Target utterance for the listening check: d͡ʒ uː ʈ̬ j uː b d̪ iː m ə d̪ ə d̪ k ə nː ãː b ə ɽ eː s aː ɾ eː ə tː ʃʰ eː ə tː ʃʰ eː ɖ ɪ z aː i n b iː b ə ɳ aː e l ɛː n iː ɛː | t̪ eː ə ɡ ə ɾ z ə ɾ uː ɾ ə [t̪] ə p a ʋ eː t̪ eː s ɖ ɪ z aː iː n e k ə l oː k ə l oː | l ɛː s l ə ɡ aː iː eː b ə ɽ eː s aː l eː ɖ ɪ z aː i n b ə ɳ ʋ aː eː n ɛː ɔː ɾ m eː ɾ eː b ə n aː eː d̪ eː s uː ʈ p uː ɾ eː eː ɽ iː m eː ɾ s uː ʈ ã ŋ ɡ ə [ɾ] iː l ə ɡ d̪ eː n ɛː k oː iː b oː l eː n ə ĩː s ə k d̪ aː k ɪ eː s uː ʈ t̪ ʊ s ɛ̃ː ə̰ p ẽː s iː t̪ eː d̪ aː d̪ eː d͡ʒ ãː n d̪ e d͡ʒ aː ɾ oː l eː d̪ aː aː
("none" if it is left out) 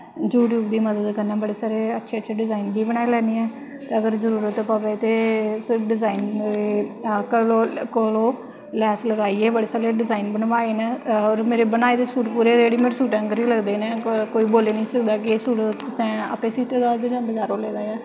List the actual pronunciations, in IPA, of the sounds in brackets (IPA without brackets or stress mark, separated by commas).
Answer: t̪, ɾ